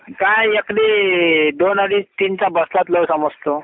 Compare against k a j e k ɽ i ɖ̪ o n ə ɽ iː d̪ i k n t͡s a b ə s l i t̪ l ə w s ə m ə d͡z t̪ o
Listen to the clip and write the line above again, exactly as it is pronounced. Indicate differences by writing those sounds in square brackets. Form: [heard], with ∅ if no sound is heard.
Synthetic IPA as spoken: k a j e k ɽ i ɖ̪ o n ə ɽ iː [t̪] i [∅] n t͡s a b ə s l [a] t̪ l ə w s ə m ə d͡z t̪ o